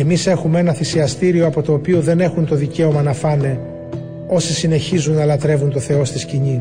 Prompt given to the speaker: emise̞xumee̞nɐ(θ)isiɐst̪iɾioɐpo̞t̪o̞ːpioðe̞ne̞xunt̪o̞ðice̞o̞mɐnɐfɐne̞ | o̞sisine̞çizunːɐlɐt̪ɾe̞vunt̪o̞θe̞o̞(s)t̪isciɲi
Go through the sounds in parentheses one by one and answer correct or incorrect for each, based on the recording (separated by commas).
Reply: correct, correct